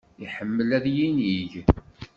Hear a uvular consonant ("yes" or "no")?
no